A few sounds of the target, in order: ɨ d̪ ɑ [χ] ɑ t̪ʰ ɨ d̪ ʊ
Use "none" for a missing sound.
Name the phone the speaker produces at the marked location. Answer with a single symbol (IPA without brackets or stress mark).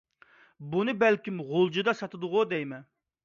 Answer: s